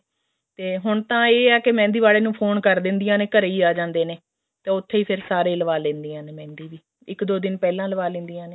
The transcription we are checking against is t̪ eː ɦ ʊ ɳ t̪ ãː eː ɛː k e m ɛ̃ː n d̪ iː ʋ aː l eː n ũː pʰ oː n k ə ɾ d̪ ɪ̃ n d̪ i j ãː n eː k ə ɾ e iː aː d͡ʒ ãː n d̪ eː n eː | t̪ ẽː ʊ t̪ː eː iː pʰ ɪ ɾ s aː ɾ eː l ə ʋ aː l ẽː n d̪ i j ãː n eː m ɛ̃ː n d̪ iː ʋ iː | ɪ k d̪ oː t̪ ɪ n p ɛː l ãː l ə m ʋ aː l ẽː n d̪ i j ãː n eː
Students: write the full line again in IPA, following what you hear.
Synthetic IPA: t̪ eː ɦ ʊ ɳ t̪ ãː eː ɛː k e m ɛ̃ː n d̪ iː ʋ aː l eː n ũː pʰ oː n k ə ɾ d̪ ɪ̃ n d̪ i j ãː n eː k ə ɾ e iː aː d͡ʒ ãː n d̪ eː n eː | t̪ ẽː ʊ t̪ʰː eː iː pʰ ɪ ɾ s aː ɾ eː l ə ʋ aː l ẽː n d̪ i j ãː n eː m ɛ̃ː n d̪ iː ʋ iː | ɪ k d̪ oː d̪ ɪ n p ɛː l ãː l ə ʋ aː l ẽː n d̪ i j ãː n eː